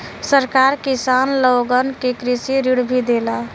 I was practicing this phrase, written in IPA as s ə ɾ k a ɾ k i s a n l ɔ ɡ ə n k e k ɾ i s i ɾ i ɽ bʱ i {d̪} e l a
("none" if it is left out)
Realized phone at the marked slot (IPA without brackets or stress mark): d̪